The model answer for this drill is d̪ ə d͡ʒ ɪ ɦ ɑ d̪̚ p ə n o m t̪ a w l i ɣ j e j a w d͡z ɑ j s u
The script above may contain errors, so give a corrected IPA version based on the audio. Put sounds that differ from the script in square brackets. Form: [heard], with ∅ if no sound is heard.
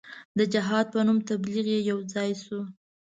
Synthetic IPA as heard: d̪ ə d͡ʒ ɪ ɦ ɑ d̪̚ p ə n [u] m t̪ a [b] l i ɣ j e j a w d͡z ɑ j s u